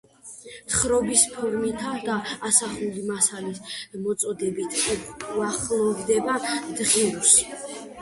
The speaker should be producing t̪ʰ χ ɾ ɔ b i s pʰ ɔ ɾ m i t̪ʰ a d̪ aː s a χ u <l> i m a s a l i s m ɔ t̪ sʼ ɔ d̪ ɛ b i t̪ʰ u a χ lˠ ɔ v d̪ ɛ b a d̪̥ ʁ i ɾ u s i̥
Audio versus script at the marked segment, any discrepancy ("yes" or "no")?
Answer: no